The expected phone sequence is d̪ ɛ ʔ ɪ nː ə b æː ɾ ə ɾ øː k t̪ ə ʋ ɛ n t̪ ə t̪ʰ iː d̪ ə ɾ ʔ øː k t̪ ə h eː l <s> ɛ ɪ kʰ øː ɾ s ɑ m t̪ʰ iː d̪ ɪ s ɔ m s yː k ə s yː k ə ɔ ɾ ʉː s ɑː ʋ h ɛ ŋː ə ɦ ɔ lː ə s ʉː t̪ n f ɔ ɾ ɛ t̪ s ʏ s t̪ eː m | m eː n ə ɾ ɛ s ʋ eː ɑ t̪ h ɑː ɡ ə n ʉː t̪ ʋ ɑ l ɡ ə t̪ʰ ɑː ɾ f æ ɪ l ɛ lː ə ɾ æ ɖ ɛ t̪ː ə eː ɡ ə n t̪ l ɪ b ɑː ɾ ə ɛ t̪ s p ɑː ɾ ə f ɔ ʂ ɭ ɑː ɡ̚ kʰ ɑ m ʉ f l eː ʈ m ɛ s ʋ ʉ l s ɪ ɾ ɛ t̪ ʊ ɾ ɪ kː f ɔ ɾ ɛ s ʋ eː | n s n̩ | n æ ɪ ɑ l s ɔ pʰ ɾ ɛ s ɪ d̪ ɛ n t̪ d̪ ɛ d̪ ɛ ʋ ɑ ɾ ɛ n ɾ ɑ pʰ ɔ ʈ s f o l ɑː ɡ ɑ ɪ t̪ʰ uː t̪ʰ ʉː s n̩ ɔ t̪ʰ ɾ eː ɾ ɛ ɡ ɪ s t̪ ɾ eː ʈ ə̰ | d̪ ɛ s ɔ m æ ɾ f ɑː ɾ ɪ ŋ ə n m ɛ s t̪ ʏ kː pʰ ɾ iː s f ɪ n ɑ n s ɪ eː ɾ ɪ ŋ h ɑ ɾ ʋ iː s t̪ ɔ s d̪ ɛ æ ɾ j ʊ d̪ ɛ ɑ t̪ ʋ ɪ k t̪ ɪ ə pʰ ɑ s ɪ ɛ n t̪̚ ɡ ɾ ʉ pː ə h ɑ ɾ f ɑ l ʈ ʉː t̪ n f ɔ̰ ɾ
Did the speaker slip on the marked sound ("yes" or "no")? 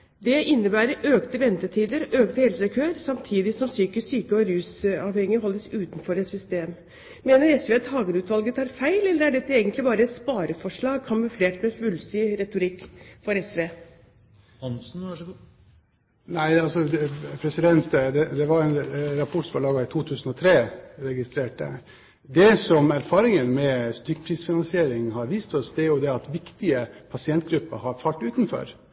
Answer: no